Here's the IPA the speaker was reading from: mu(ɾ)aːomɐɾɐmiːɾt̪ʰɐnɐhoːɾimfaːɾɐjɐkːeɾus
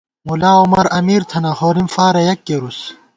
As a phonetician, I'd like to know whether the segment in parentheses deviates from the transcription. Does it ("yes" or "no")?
yes